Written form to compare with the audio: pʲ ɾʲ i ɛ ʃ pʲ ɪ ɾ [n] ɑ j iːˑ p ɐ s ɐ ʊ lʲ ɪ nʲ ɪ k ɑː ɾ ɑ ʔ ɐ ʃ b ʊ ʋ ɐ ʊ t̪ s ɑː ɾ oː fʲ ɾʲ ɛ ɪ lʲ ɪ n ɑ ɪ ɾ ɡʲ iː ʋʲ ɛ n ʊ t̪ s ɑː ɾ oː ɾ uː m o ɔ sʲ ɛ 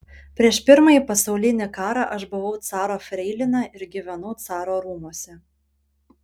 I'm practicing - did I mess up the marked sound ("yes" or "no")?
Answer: yes